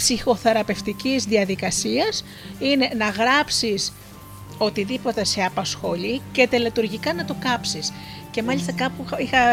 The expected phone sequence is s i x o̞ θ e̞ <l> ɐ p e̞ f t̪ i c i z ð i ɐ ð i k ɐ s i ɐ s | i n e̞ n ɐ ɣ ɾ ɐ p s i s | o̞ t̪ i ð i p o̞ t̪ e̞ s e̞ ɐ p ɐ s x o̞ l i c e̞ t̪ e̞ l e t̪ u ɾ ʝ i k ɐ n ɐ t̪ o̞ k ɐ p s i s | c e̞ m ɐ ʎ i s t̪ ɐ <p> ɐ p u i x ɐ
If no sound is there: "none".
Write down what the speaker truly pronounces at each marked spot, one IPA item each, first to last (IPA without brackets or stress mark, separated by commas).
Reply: ɾ, k